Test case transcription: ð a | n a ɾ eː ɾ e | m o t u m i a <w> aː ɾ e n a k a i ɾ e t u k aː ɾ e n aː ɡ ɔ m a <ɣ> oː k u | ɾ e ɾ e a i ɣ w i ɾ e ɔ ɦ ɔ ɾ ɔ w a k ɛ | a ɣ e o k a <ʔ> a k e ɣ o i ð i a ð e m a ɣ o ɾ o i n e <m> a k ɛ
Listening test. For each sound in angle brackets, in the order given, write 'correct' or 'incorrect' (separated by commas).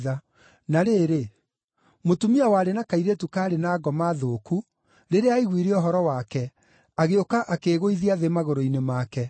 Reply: correct, incorrect, correct, correct